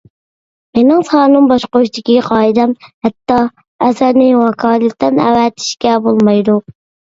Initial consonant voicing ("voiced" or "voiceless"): voiced